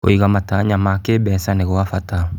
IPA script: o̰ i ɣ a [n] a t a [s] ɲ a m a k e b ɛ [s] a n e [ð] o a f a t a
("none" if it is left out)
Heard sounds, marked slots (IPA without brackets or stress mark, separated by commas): m, none, s, ɣ